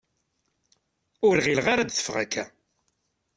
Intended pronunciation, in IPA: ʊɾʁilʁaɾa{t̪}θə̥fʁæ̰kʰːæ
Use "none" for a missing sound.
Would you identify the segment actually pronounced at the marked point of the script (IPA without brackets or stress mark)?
d̪